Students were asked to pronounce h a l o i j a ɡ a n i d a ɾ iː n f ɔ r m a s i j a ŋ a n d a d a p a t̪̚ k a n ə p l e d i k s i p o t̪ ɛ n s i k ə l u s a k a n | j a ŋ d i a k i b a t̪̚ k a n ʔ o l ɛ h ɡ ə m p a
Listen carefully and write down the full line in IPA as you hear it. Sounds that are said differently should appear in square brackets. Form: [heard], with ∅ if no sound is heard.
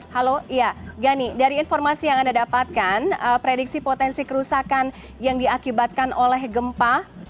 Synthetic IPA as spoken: h a l o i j a ɡ a n i d a ɾ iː n f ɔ r m a s i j a ŋ a n d a d a p a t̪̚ k a n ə p [ɾ] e d i k s i p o t̪ ɛ n s i k ə [ɾ] u s a k a n | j a ŋ d i a k i b a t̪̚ k a n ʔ o l ɛ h ɡ ə m p a